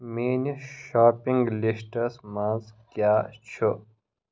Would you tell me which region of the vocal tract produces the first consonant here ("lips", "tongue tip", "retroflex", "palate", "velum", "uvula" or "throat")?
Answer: lips